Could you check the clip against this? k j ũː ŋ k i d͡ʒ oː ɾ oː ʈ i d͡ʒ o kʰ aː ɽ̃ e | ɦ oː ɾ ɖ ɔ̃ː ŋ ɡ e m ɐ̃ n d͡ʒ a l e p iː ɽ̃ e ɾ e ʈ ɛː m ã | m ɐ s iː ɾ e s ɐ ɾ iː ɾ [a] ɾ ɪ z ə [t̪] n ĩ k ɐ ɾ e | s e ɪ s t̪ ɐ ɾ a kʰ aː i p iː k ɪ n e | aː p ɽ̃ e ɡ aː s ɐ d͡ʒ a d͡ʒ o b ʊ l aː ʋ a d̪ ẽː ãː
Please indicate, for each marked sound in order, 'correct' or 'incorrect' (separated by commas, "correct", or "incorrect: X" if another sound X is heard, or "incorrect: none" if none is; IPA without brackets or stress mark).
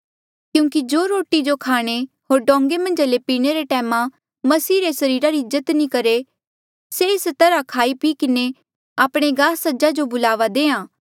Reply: correct, correct